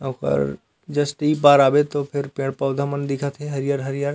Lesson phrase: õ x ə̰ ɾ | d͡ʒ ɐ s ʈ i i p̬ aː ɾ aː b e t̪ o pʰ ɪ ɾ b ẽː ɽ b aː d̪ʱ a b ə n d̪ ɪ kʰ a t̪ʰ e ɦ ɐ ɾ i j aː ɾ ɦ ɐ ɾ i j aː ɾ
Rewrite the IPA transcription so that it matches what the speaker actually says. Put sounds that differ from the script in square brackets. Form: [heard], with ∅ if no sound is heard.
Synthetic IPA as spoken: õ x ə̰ ɾ | d͡ʒ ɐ s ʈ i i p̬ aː ɾ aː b e t̪ o pʰ ɪ ɾ [p] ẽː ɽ [p] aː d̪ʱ a [m] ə n d̪ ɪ kʰ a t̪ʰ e ɦ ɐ ɾ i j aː ɾ ɦ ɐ ɾ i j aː ɾ